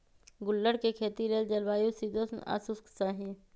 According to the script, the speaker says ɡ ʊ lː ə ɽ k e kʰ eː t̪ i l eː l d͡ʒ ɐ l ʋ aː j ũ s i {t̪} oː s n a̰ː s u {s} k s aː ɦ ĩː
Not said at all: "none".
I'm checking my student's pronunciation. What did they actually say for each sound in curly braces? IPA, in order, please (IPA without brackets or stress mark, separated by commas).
d̪, s